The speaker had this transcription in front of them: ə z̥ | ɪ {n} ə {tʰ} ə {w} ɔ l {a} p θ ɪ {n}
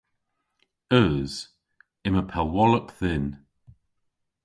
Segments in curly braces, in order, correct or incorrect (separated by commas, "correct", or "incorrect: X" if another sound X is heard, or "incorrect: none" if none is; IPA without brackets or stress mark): incorrect: m, incorrect: pʰ, correct, incorrect: ə, correct